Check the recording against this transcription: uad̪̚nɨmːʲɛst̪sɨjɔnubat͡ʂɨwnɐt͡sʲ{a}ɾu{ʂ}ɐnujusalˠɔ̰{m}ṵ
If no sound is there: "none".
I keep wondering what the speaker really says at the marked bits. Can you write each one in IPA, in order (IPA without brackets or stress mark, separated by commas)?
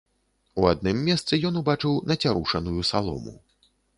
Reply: a, ʂ, m